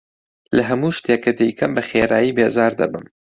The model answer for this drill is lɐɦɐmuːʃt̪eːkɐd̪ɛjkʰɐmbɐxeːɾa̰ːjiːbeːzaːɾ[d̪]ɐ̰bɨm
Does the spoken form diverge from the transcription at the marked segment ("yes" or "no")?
no